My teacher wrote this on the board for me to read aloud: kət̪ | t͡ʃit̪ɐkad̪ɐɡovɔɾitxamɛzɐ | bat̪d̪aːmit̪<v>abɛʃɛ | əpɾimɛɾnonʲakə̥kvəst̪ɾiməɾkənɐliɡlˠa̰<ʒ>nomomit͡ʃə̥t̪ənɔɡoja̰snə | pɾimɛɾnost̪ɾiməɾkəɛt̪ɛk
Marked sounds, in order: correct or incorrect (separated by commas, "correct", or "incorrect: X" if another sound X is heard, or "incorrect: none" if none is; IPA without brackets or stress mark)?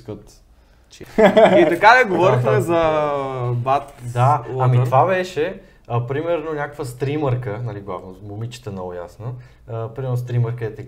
correct, incorrect: v